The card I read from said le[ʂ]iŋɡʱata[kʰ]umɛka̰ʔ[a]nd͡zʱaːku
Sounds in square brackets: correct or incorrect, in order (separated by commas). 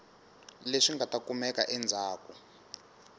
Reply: correct, incorrect, incorrect